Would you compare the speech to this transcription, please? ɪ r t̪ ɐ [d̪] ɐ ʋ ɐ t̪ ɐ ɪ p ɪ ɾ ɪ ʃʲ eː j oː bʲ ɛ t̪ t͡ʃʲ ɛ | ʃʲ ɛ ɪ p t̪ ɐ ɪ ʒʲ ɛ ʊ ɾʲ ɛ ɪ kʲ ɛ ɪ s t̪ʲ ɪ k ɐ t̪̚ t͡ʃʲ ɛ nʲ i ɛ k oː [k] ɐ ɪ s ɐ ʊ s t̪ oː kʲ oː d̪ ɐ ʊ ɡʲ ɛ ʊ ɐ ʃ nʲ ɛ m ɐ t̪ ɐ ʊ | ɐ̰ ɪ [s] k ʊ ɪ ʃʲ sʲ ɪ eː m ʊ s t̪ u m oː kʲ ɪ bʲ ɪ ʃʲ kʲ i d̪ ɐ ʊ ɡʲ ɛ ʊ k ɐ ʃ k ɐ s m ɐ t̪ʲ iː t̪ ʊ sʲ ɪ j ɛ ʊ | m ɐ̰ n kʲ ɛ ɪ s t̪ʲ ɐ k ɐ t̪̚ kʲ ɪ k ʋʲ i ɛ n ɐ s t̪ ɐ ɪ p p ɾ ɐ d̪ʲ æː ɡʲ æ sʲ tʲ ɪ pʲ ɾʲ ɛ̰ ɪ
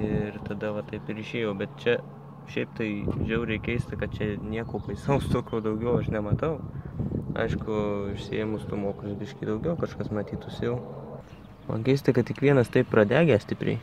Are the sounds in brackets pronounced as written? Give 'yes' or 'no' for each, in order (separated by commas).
yes, no, no